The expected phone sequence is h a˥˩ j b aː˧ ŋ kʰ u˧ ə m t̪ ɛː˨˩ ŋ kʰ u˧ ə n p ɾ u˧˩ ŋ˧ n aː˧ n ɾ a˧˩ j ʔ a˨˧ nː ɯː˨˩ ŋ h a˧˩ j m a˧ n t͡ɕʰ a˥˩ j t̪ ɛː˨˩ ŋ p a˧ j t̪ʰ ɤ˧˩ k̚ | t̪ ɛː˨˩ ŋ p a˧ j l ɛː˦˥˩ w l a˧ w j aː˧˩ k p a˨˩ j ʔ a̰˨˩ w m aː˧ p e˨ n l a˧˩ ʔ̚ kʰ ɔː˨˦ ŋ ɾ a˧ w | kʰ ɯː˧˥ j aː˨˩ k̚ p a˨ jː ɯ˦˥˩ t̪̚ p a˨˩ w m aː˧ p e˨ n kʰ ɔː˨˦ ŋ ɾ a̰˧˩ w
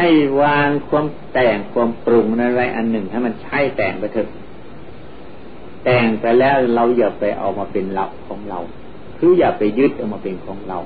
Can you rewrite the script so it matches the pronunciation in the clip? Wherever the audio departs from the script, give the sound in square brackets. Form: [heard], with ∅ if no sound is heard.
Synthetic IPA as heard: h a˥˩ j [w] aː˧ ŋ kʰ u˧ ə m t̪ ɛː˨˩ ŋ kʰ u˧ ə [m] p ɾ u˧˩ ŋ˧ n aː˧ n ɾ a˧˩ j ʔ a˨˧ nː [ɯ˨˩] ŋ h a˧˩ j m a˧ n t͡ɕʰ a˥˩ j t̪ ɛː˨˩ ŋ p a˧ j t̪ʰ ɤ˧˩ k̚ | t̪ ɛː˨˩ ŋ p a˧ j l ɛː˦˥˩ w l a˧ w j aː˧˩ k p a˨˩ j ʔ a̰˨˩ w m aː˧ p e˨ n l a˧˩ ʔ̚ kʰ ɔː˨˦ ŋ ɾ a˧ w | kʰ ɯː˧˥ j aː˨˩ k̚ p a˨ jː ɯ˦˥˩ t̪̚ [ʔ] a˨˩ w m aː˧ p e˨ n kʰ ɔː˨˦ ŋ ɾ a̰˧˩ w